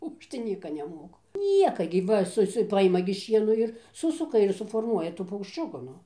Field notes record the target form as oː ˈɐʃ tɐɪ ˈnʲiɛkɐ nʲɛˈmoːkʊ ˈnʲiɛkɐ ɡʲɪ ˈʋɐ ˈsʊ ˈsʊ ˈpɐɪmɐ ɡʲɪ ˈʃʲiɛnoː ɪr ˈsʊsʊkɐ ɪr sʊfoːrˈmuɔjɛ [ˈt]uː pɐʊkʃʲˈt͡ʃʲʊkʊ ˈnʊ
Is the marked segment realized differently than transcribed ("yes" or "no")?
no